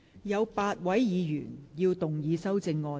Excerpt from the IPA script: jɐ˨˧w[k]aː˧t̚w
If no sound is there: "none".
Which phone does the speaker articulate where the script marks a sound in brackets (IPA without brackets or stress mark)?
p